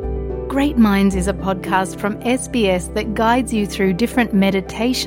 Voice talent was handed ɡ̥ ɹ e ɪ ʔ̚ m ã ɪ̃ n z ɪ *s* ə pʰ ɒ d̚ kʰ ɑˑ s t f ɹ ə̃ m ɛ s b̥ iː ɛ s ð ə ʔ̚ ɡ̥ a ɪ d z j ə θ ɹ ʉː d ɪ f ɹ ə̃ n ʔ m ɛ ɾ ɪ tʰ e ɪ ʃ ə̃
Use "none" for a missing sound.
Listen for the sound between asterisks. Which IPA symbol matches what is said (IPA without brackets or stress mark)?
z